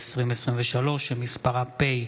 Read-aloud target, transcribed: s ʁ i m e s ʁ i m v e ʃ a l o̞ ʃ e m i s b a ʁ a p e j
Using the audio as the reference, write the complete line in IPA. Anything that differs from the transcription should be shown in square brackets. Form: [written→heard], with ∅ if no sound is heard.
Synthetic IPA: s ʁ i m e s ʁ i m v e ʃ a l o̞ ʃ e m i s [b→p] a ʁ a p e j